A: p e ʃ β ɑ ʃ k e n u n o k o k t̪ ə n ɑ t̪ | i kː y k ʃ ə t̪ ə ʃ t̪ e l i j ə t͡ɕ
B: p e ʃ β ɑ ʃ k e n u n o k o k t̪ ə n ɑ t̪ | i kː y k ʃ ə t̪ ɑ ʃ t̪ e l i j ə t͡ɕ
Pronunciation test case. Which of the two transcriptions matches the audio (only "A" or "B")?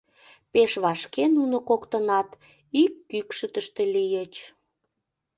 A